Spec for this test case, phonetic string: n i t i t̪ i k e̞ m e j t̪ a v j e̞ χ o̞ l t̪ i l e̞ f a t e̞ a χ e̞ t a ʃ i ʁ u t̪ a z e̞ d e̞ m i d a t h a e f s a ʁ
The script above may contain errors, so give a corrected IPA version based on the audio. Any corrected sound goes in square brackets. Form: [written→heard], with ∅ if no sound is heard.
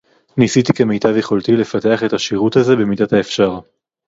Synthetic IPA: n i [t→s] i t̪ i k e̞ m e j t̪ a v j e̞ χ o̞ l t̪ i l e̞ f a t e̞ a χ e̞ t a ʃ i ʁ u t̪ a z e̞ [d→b] e̞ m i d a t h a e f [s→ʃ] a ʁ

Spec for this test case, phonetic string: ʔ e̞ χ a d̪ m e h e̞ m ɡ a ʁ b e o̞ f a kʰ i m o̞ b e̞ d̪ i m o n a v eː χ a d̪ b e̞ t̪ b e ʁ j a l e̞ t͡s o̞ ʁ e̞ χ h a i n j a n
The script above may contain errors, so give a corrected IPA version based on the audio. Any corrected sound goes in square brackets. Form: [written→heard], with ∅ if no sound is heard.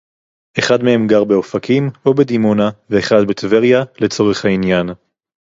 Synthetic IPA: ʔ e̞ χ a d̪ m e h e̞ m ɡ a ʁ b e o̞ f a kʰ i m o̞ b e̞ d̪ i m o n a v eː χ a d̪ b e̞ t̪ [b→v] e ʁ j a l e̞ t͡s o̞ ʁ e̞ χ h a i n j a n

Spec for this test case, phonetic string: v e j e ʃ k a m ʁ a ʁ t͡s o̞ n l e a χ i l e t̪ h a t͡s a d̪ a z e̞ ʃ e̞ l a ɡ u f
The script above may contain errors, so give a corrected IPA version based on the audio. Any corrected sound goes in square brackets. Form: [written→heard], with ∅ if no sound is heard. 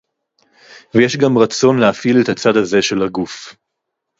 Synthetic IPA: v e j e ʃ [k→ɡ] a m ʁ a [ʁ→∅] t͡s o̞ n l e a [χ→f] i l e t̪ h a t͡s a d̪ a z e̞ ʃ e̞ l a ɡ u f

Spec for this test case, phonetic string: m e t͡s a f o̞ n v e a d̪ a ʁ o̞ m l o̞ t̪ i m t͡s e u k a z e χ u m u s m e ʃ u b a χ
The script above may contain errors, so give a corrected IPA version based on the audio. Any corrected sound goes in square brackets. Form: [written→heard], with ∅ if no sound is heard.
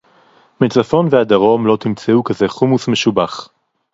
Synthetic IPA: m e t͡s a f o̞ n v e a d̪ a ʁ o̞ m l o̞ t̪ i m t͡s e u k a z e χ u m u s m e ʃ u b a χ

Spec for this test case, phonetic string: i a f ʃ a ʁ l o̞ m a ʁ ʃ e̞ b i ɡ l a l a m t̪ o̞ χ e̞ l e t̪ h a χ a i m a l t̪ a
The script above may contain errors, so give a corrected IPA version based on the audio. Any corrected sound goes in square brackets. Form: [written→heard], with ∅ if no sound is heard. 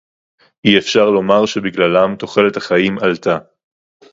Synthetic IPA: i [a→e] f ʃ a ʁ l o̞ m a ʁ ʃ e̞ b i ɡ l a l a m t̪ o̞ χ e̞ l e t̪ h a χ a i m a l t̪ a

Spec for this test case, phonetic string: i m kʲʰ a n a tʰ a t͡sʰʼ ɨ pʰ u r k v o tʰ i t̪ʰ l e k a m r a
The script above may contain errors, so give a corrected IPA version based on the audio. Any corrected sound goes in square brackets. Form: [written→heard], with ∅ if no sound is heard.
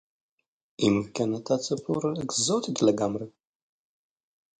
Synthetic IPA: i m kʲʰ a n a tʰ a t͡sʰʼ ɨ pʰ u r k [v→z] o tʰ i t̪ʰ l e [k→ɡ] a m r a

